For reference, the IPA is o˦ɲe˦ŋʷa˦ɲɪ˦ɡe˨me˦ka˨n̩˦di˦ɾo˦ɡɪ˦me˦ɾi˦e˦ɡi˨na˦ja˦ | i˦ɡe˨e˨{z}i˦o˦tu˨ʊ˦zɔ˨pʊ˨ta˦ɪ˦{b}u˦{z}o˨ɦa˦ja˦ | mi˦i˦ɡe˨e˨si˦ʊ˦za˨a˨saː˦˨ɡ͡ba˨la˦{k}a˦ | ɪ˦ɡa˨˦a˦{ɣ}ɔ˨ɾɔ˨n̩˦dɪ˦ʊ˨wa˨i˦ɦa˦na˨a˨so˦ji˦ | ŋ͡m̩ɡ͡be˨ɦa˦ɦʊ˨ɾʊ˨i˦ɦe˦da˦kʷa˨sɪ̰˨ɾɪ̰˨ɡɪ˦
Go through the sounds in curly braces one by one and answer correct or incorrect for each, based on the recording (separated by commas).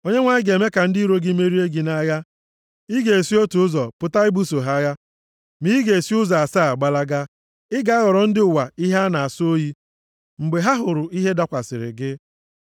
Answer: incorrect, correct, incorrect, incorrect, correct